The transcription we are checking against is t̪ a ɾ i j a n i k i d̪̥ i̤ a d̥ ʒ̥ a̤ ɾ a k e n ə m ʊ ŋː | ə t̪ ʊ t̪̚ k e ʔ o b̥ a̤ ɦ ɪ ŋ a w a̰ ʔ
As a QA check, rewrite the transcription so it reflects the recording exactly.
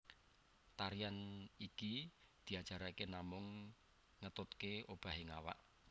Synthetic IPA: t̪ a ɾ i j a n i k i d̪̥ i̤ a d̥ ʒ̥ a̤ ɾ a k e n a m ʊ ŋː | ə t̪ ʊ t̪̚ k e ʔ o b̥ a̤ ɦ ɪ ŋ a w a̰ ʔ